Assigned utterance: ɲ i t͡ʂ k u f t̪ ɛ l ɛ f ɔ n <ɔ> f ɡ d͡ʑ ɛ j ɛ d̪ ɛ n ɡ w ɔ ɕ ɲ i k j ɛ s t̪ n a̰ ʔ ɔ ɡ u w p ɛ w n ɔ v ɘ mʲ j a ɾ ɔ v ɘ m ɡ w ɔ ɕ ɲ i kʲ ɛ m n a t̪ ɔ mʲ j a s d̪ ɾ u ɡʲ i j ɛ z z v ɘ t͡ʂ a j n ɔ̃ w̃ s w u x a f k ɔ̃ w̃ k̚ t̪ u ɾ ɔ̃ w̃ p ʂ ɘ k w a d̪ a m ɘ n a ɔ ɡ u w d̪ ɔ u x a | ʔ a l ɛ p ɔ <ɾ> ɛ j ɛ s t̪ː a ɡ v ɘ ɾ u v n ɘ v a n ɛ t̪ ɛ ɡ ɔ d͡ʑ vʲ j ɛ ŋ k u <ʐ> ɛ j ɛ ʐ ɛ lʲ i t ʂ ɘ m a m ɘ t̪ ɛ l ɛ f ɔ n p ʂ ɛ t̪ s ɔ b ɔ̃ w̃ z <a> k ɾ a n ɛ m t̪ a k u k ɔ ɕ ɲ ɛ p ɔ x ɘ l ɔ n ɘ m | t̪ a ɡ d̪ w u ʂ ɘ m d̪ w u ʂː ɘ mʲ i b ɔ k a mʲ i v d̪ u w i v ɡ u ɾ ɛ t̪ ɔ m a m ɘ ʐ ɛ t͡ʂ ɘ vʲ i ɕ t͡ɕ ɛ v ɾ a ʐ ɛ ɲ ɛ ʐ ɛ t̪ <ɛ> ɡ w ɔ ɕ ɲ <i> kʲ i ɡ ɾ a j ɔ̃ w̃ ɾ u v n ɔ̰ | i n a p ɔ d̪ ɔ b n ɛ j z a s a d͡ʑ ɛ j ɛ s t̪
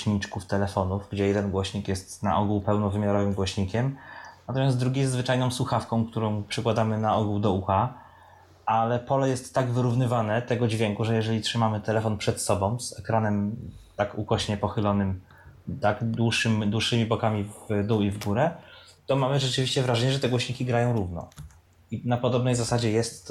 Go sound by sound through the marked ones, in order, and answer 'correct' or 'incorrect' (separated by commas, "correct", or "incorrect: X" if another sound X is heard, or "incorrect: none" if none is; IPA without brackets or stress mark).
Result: incorrect: u, incorrect: l, correct, incorrect: ɛ, correct, correct